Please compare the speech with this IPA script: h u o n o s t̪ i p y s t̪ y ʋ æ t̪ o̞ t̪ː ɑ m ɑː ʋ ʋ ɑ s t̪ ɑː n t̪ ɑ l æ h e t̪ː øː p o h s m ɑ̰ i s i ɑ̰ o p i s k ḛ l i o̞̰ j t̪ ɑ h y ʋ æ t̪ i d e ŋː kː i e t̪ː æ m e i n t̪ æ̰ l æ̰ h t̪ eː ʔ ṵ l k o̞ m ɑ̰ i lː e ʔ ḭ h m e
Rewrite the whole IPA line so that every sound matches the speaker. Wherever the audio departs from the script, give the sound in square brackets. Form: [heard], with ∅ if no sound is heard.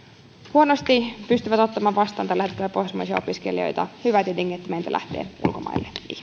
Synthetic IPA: h u o n o s t̪ i p y s t̪ y ʋ æ t̪ o̞ t̪ː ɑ m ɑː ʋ ʋ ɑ s t̪ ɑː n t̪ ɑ l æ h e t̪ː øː p o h s m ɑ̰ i s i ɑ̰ o p i s k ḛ l i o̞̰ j t̪ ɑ h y ʋ æ t̪ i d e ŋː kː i e t̪ː æ m e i n t̪ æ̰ l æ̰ h t̪ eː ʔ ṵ l k o̞ m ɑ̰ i lː e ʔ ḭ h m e